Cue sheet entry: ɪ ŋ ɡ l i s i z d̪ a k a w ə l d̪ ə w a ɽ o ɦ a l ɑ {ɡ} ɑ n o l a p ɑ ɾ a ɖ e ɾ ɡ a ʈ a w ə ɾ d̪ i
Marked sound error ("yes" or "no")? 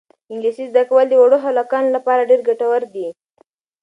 yes